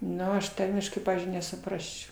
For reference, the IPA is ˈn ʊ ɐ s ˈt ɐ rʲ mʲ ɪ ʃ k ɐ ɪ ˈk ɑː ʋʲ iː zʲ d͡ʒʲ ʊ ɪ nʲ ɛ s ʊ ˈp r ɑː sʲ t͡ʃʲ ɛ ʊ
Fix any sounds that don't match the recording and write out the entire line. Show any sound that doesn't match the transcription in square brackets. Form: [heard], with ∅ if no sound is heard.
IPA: ˈn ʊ ɐ [ʃ] ˈt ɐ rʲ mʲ ɪ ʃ k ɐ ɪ [ˈp] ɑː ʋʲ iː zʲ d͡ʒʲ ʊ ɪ nʲ ɛ s ʊ ˈp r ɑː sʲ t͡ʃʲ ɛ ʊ